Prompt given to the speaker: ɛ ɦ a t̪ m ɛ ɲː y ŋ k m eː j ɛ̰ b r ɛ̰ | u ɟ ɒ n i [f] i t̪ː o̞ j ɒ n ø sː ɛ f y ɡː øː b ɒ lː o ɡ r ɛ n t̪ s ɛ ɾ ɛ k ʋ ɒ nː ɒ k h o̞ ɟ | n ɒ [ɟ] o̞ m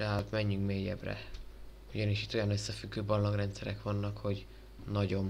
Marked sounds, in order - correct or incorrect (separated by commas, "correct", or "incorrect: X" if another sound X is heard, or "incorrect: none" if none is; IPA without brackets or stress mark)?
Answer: incorrect: ʃ, correct